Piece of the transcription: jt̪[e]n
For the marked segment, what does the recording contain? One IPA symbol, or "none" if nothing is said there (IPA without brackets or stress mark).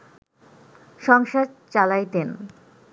e